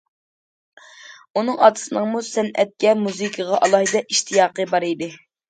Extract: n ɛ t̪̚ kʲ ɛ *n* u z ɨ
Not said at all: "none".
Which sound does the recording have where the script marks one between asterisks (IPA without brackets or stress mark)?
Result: m